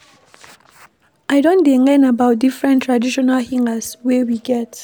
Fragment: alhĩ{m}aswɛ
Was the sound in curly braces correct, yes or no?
no